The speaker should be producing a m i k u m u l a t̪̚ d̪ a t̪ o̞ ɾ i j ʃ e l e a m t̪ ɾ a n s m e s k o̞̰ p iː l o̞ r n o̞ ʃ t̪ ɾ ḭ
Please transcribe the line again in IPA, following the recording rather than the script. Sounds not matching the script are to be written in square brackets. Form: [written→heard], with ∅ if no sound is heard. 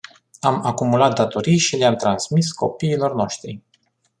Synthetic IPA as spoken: a m [i→a] k u m u l a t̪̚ d̪ a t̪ o̞ ɾ i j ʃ [e→i] l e a m t̪ ɾ a n s m [e→i] s k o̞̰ p iː l o̞ r n o̞ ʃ t̪ ɾ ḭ